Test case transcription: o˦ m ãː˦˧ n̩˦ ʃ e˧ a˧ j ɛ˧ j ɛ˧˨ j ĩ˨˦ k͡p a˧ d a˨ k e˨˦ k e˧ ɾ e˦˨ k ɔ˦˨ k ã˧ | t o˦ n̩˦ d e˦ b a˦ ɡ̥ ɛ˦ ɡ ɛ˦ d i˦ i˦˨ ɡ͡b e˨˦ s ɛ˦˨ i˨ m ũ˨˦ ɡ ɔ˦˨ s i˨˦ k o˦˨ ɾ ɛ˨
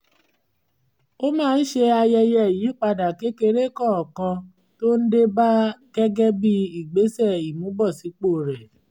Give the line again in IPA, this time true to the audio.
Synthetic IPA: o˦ m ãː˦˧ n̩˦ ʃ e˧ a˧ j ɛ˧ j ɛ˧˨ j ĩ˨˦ k͡p a˧ d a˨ k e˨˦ k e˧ ɾ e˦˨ k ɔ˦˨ k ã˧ | t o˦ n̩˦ d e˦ b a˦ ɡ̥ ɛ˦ ɡ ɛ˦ b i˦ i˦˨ ɡ͡b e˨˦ s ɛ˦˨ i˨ m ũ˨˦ b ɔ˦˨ s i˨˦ k͡p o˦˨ ɾ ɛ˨